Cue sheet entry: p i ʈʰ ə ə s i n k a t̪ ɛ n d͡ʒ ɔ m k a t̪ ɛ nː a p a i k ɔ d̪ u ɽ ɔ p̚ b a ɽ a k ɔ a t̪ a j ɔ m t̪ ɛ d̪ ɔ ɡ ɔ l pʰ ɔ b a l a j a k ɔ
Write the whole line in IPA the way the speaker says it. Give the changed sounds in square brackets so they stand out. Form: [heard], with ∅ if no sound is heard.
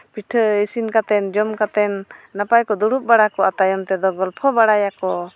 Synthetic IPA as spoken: p i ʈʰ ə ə s i n k a t̪ ɛ n d͡ʒ ɔ m k a t̪ ɛ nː a p a [j] k ɔ d̪ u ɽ [u] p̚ b a ɽ a k ɔ a t̪ a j ɔ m t̪ ɛ d̪ ɔ ɡ ɔ l pʰ ɔ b a [ɽ] a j a k ɔ